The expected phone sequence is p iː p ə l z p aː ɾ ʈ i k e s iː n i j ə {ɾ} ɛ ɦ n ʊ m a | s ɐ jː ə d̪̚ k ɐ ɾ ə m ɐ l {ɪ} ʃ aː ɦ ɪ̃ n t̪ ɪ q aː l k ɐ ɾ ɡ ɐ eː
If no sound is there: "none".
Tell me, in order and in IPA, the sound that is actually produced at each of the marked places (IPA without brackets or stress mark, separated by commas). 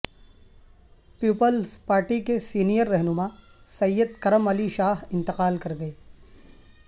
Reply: ɾː, i